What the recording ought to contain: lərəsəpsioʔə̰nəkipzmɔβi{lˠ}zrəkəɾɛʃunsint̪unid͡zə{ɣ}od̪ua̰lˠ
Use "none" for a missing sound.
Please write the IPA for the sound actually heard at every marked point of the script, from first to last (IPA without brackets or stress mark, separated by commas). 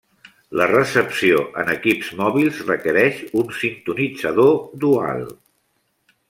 lˠ, ð